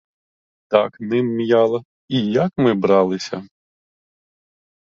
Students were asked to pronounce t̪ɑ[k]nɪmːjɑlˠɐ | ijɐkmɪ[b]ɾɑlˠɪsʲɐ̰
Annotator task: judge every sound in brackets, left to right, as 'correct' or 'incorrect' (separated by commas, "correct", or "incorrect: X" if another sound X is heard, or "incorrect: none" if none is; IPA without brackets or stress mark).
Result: correct, correct